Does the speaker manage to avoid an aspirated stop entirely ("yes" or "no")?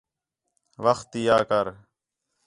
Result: yes